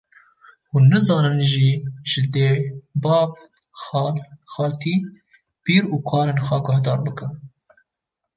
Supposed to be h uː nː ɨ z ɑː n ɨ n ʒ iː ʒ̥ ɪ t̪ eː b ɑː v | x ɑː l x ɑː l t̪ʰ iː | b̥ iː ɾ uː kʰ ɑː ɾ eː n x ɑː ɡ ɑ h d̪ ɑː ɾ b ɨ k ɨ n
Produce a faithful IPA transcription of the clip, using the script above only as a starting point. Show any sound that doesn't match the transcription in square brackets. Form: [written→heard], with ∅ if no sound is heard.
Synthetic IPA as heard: h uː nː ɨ z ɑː n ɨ n ʒ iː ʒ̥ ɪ [t̪→d̪] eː b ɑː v | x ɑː l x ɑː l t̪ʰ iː | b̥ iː ɾ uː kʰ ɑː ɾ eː n x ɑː ɡ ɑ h d̪ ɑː ɾ b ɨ k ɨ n